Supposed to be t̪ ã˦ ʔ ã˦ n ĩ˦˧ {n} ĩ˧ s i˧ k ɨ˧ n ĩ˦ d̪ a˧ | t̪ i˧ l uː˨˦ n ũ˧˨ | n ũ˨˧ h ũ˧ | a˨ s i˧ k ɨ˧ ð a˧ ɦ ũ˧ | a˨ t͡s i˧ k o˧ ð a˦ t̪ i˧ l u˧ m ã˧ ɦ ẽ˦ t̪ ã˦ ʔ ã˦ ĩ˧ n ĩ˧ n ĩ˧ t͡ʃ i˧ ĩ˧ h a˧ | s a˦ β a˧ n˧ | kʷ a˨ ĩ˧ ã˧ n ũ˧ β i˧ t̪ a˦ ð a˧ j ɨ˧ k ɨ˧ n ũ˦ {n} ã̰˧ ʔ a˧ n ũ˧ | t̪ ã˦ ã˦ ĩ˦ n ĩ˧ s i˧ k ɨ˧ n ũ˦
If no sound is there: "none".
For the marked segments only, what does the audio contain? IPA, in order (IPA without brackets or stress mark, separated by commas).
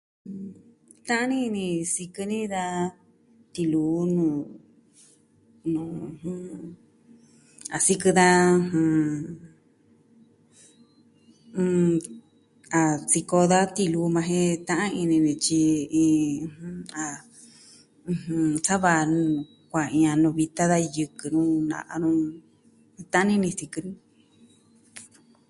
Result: n, n